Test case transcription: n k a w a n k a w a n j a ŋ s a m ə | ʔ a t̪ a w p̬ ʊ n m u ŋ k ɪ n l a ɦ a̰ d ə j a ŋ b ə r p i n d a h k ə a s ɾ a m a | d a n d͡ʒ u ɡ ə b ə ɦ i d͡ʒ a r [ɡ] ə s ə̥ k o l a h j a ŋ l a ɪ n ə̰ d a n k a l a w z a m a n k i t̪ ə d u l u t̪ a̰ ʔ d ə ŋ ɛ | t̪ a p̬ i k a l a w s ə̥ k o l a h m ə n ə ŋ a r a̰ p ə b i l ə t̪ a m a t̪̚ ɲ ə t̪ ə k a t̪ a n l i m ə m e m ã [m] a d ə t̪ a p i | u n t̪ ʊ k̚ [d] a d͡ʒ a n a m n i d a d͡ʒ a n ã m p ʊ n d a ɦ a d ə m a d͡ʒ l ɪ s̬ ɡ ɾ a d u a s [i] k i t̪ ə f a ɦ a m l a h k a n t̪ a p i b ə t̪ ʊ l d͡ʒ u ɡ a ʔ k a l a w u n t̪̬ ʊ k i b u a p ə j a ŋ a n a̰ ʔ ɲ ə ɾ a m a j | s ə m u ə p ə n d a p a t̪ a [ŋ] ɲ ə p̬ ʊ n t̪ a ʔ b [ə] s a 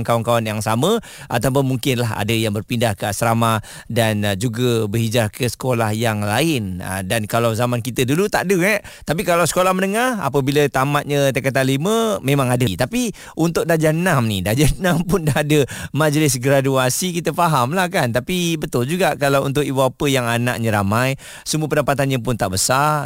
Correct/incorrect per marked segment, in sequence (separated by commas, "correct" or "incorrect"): incorrect, incorrect, correct, correct, incorrect, correct